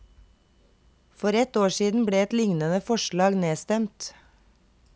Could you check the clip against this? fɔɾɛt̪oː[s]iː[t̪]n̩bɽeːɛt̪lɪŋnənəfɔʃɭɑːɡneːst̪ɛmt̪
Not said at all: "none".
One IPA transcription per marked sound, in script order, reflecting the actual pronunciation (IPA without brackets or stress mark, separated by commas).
ʃ, d̪